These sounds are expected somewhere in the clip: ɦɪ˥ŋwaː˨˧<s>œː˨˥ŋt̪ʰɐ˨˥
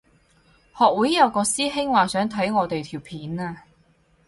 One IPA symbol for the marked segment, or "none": s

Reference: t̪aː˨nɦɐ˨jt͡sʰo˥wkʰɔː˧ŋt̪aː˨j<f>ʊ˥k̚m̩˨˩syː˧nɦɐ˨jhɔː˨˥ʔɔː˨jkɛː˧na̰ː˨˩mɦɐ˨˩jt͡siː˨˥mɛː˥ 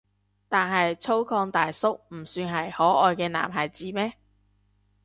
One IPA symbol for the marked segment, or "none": s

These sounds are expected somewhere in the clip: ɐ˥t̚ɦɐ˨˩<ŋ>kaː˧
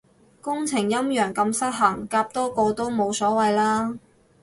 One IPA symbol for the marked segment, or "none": ŋ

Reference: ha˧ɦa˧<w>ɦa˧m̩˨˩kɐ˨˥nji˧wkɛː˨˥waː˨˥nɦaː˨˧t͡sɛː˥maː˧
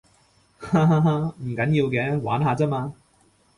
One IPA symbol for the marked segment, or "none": none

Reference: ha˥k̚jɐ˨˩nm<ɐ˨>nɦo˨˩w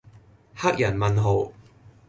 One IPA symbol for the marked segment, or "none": ɐ˨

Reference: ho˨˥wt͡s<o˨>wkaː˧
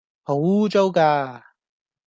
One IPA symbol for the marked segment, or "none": o˥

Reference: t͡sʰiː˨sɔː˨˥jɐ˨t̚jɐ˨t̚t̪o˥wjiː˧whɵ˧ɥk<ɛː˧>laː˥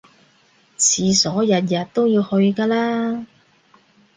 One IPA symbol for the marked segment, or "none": aː˧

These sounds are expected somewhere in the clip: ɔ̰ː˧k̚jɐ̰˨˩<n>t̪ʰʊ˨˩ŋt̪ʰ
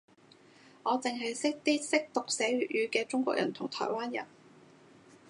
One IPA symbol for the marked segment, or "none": n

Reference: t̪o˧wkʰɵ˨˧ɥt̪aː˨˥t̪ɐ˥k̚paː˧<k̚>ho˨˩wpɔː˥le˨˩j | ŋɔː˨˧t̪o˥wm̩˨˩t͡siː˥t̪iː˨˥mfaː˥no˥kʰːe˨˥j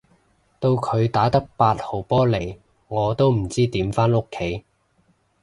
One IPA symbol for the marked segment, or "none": t̚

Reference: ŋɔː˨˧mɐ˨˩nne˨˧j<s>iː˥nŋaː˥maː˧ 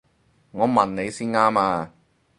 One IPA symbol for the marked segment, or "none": s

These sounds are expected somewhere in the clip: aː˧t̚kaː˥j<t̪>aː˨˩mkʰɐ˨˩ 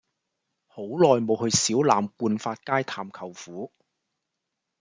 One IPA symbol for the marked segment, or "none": t̪ʰ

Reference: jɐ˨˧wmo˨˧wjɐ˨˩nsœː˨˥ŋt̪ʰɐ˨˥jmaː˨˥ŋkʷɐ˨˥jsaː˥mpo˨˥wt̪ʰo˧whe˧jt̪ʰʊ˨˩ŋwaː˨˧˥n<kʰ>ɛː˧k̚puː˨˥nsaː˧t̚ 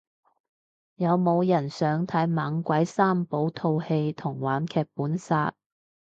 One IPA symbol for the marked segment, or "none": kʰ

